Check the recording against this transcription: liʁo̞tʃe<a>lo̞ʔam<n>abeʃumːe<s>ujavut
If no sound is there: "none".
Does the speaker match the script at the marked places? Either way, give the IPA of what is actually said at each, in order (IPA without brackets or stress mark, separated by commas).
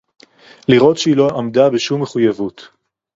i, d, χ